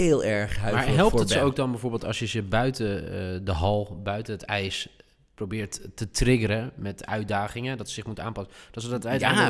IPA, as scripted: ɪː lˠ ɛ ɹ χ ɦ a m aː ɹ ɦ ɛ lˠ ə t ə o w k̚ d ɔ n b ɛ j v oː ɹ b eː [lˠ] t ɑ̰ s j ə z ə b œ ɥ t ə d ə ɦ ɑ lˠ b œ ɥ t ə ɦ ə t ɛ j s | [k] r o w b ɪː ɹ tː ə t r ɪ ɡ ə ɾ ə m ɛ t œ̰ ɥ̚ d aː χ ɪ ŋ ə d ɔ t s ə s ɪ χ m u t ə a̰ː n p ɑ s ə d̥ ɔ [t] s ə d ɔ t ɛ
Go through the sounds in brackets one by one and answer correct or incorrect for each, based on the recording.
correct, incorrect: p, correct

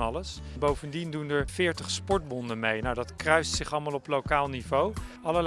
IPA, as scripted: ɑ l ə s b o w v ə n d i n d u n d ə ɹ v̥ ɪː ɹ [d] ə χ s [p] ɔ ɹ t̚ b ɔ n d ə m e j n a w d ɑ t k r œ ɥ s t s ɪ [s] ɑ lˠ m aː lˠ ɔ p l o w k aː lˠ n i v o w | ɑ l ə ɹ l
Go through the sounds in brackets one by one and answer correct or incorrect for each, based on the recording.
incorrect: t, correct, incorrect: χ

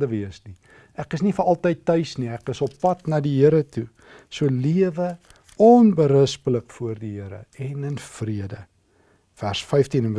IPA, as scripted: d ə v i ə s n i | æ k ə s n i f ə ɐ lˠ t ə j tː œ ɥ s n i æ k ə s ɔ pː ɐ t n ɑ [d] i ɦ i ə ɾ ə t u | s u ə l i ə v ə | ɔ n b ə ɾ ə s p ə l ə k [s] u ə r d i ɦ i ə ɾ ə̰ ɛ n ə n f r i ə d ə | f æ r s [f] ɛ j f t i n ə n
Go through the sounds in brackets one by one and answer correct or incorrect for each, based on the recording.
correct, incorrect: f, correct

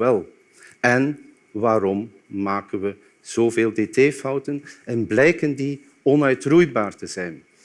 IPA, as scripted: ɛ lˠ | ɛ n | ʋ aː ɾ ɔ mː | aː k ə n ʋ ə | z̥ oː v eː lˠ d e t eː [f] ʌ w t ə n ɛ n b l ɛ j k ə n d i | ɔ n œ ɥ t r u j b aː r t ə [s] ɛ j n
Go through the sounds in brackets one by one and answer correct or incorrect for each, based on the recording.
correct, incorrect: z

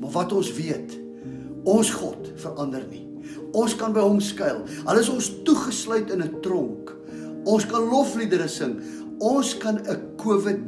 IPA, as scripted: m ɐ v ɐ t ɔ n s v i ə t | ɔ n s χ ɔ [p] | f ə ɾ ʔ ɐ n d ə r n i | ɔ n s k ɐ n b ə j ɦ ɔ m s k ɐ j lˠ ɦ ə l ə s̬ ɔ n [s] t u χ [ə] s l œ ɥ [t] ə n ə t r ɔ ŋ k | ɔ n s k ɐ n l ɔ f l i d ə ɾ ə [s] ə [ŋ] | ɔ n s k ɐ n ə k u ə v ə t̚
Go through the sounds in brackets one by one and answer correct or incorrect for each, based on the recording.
incorrect: t, correct, correct, correct, correct, correct

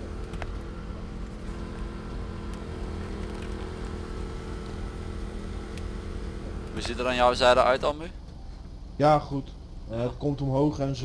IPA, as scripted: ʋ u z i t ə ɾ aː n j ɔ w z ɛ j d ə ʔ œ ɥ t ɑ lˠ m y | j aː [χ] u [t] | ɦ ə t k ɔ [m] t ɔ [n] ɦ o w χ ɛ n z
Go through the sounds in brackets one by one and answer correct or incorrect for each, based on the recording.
correct, correct, correct, incorrect: m

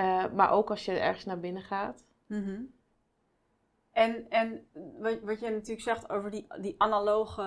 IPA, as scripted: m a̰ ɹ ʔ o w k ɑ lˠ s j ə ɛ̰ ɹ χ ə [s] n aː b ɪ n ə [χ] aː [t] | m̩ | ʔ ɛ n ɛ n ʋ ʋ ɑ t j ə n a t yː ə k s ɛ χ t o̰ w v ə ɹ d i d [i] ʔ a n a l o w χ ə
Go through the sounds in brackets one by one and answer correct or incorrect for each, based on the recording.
correct, correct, correct, correct

